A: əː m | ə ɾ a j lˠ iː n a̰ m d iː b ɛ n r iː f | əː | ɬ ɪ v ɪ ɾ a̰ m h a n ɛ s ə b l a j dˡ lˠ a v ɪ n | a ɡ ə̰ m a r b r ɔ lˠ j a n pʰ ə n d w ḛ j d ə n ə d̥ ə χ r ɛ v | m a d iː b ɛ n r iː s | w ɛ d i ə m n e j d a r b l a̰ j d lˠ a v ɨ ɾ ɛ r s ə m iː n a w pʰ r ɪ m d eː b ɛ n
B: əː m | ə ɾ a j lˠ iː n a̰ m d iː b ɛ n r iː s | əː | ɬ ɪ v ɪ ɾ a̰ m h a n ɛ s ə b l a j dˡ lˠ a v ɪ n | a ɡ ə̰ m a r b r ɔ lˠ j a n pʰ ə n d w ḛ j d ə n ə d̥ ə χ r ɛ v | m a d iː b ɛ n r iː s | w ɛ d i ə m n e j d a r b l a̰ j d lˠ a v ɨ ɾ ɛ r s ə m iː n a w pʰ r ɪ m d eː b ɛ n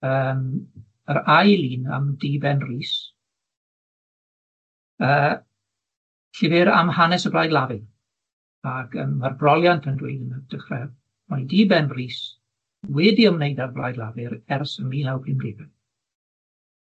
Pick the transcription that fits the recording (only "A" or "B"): B